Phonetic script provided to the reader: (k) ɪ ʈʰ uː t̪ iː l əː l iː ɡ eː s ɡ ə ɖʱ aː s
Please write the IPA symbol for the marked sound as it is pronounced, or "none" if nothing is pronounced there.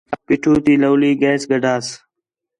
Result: p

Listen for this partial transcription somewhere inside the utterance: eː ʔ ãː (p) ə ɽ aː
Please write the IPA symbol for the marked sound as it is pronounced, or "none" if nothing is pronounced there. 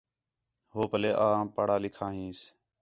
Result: p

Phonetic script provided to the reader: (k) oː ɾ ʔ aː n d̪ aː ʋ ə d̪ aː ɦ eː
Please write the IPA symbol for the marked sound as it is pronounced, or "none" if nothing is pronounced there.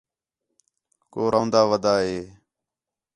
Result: k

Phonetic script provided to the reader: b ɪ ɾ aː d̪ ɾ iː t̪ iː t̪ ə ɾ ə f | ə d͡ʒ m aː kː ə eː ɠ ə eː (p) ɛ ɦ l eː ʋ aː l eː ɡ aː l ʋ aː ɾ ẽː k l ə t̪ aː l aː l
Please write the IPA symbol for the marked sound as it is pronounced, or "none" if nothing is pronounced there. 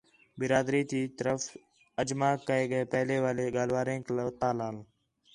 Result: p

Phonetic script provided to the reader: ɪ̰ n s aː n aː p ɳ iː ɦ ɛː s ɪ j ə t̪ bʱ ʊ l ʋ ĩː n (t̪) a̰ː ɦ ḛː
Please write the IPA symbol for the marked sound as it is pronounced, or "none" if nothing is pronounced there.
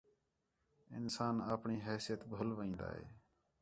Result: d̪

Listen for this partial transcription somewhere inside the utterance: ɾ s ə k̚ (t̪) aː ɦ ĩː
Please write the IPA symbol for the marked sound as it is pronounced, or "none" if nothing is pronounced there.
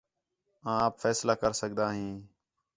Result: d̪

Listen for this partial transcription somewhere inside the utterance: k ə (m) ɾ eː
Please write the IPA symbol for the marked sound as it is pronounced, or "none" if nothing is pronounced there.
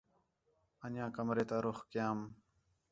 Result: m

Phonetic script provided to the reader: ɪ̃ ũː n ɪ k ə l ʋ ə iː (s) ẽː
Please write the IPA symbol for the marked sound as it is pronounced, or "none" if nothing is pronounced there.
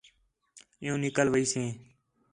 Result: s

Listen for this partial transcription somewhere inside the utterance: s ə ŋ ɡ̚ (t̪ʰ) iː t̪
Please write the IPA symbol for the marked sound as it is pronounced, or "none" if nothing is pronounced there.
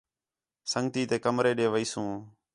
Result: t̪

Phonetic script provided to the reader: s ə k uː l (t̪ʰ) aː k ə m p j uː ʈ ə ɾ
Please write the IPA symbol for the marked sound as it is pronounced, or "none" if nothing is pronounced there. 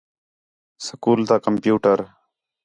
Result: t̪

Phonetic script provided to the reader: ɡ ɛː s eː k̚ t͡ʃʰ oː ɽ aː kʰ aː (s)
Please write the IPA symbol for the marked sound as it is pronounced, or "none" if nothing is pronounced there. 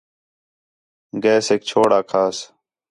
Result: s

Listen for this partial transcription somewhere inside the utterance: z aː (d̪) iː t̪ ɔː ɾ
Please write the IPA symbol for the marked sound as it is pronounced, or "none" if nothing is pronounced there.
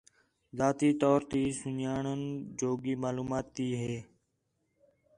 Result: t̪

